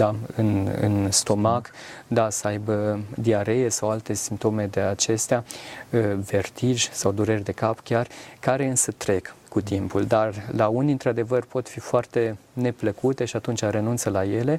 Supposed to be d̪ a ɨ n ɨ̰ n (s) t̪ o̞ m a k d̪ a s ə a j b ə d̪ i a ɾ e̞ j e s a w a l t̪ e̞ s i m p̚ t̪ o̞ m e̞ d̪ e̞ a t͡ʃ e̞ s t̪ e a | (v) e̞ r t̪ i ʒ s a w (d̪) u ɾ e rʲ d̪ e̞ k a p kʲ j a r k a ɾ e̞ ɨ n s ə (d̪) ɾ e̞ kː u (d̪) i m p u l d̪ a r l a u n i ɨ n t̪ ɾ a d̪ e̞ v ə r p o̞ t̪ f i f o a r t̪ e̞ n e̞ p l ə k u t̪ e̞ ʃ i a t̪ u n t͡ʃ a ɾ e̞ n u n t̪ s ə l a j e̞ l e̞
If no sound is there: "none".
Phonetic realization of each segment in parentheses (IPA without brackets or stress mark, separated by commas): s, v, d̪, t̪, t̪